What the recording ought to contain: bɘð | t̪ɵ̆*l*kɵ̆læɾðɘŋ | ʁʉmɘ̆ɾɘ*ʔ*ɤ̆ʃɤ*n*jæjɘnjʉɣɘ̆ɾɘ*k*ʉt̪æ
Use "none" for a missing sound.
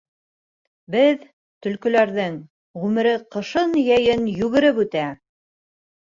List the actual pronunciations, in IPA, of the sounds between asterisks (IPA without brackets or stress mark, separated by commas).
l, q, n, p